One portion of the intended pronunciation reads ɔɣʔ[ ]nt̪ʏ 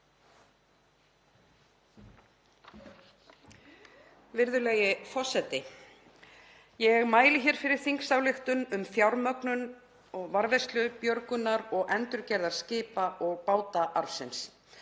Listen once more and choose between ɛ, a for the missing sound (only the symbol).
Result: ɛ